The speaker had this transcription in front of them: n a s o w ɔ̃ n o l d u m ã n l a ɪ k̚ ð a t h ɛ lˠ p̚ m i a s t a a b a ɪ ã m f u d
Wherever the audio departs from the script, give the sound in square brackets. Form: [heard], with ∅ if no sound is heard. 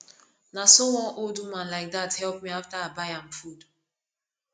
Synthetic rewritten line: n a s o w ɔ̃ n o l d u m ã n l a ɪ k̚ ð a t h ɛ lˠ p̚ m i a [f] t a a b a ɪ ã m f u d